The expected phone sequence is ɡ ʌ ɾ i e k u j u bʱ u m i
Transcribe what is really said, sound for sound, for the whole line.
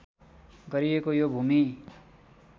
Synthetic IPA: ɡ ʌ ɾ i e k o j o bʱ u m i